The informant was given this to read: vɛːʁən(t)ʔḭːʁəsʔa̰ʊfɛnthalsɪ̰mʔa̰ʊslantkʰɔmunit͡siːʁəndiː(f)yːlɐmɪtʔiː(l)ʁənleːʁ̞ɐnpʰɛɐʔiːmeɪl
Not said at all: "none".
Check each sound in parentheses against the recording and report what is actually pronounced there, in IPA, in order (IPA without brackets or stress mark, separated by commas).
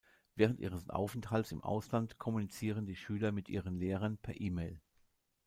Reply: t, ʃ, none